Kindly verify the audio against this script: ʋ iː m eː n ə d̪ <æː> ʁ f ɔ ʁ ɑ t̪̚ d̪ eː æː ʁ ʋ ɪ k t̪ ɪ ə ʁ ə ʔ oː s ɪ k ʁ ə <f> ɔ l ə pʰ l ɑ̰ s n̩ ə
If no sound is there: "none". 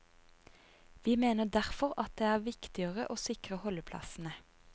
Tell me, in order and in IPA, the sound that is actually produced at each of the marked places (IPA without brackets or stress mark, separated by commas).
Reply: æ, h